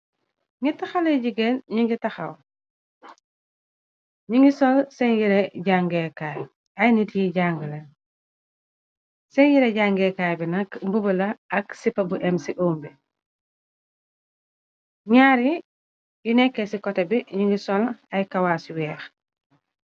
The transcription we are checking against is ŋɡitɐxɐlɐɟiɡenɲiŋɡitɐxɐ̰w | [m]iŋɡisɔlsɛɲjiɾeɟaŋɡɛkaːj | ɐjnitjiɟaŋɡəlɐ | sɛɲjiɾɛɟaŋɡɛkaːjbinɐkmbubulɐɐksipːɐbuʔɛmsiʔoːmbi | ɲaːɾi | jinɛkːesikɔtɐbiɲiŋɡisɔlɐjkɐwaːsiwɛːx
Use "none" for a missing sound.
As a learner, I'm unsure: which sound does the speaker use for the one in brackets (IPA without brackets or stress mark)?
ɲ